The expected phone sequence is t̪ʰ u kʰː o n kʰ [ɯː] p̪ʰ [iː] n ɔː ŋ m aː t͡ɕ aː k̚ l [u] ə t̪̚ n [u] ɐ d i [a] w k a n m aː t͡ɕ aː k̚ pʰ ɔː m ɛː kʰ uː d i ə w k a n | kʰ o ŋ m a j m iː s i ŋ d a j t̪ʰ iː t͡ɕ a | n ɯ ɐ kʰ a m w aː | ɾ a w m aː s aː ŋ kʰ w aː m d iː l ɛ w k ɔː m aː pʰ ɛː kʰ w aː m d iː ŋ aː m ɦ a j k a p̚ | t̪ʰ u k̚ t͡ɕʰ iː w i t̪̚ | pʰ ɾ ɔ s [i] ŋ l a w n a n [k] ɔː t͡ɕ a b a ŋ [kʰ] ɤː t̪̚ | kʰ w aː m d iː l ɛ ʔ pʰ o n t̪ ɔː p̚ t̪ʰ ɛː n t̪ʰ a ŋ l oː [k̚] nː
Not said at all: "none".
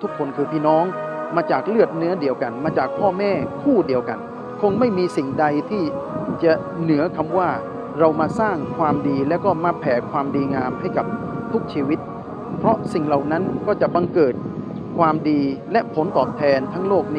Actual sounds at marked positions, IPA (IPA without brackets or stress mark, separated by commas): ɯː, iː, ɯ, ɯ, ə, i, k, k, k̚